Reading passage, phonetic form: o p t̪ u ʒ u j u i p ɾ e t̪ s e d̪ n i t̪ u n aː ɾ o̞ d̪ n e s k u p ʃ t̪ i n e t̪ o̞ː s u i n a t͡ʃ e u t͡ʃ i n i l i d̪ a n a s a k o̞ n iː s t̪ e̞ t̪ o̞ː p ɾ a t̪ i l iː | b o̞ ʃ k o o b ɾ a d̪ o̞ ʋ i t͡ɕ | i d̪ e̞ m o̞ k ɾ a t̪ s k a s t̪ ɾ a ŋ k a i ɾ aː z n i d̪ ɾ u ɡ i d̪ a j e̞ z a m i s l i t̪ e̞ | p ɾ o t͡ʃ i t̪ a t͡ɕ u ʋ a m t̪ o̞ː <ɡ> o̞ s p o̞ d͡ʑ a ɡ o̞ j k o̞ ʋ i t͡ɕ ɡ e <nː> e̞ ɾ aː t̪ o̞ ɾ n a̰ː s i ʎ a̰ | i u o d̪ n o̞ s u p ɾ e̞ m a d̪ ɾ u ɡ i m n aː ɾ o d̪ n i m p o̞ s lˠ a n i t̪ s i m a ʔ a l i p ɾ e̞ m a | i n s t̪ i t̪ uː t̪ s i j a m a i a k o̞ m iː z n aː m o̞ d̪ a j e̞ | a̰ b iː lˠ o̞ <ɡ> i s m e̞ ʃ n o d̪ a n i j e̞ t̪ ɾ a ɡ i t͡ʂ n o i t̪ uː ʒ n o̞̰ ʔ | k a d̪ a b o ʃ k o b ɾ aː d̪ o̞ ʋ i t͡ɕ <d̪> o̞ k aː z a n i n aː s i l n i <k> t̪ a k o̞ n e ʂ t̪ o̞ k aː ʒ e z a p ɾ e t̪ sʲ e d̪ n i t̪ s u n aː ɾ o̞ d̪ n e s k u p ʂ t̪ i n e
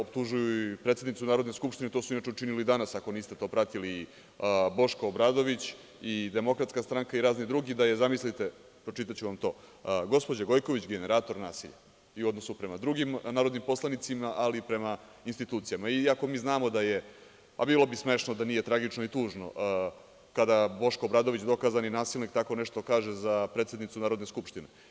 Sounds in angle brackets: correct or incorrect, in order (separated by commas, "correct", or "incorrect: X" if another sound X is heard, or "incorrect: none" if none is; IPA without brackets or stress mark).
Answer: correct, incorrect: n, incorrect: b, correct, correct